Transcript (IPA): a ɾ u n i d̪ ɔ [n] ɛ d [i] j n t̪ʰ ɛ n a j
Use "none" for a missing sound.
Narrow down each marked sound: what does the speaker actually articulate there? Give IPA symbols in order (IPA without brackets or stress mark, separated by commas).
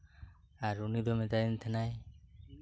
m, a